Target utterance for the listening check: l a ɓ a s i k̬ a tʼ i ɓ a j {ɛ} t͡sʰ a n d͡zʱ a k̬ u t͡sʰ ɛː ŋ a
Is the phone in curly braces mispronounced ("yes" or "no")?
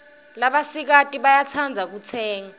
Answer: yes